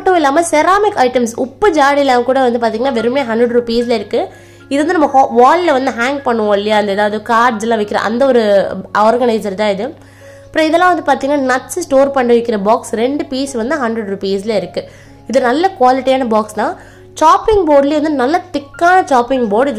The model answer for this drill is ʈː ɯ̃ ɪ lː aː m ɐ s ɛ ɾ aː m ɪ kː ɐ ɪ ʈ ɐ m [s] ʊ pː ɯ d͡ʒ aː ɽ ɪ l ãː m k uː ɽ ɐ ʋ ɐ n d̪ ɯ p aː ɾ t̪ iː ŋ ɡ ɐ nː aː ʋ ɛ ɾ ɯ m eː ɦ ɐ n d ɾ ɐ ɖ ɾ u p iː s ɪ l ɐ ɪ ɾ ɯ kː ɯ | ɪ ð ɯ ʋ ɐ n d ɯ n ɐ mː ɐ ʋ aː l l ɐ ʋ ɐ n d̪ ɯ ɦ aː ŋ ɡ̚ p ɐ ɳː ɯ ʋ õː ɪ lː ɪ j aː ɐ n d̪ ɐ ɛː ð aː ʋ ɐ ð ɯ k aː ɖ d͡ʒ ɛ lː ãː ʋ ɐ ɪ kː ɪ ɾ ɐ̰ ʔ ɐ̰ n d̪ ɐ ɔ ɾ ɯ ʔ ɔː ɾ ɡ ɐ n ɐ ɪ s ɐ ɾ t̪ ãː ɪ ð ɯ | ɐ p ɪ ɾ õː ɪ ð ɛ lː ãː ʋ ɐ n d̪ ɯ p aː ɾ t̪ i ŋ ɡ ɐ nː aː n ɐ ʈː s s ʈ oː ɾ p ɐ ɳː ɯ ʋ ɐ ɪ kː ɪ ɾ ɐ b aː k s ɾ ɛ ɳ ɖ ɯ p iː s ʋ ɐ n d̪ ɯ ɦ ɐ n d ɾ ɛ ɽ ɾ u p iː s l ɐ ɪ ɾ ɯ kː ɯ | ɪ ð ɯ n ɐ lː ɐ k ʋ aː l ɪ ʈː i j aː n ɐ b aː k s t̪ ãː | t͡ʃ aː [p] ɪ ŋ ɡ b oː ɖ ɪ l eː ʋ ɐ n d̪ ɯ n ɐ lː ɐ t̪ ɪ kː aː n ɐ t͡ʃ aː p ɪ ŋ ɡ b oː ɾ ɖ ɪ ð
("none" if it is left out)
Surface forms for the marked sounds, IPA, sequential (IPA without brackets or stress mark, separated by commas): s, p